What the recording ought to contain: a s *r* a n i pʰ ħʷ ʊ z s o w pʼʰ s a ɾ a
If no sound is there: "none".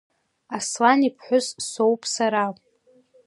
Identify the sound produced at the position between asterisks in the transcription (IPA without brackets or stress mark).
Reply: l